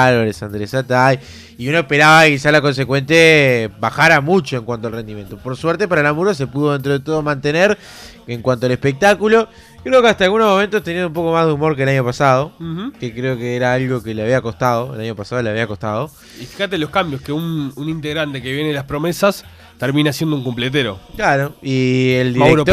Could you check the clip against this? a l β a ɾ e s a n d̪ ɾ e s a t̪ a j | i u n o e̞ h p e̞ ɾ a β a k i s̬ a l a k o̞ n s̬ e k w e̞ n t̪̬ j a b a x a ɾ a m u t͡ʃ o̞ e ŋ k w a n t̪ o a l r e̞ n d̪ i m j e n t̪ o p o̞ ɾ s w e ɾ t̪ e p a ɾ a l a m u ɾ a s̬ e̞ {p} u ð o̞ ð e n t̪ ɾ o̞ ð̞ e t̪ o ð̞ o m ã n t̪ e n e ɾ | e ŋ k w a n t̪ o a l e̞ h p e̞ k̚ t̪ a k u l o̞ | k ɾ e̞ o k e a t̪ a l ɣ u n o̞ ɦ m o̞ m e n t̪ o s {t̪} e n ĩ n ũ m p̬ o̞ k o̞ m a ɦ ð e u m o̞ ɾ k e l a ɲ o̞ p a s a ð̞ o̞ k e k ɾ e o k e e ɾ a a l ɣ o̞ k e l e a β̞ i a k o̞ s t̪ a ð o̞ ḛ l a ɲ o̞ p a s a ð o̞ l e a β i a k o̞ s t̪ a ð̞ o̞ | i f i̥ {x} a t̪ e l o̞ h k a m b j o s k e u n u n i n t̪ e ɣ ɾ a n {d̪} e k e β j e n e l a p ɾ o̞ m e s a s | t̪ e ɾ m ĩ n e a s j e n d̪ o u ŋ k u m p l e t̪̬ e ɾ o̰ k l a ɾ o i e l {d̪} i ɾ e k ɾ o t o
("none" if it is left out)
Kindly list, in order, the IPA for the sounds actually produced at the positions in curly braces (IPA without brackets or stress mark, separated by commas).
p, t̪, x, t̪, d̪